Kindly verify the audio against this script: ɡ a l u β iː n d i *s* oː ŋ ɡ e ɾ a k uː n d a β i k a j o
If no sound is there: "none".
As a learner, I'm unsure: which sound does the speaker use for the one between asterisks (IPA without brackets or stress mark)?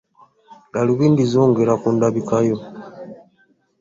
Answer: z